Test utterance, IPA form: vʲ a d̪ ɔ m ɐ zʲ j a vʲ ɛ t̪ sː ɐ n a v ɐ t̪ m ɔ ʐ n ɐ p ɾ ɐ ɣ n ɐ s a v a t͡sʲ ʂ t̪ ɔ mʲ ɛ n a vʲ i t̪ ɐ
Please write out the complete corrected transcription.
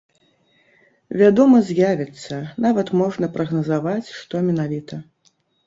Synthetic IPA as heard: vʲ a d̪ ɔ m ɐ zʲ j a vʲ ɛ t̪ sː ɐ n a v ɐ t̪ m ɔ ʐ n ɐ p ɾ ɐ ɣ n ɐ z a v a t͡sʲ ʂ t̪ ɔ mʲ ɛ n a vʲ i t̪ ɐ